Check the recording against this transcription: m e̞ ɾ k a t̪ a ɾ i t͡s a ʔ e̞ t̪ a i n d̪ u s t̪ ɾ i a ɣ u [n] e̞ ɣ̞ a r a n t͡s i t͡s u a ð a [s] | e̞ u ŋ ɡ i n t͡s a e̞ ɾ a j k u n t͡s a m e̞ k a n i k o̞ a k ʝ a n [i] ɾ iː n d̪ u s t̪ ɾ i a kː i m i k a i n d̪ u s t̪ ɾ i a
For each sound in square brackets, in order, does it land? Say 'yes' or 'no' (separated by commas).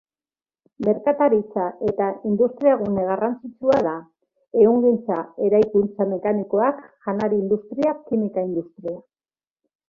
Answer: yes, no, no